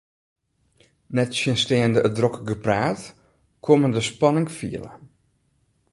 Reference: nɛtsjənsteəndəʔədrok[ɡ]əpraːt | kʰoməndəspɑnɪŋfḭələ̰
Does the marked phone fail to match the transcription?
no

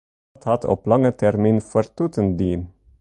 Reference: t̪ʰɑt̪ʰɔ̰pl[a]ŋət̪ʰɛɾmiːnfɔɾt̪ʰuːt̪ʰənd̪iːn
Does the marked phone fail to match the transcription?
yes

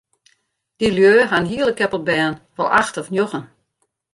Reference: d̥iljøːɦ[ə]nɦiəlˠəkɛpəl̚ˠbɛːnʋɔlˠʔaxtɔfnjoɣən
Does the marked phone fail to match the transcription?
yes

